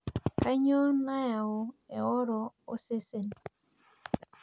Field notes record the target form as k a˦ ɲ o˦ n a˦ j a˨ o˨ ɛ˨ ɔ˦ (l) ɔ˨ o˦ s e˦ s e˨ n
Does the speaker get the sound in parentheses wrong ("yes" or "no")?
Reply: yes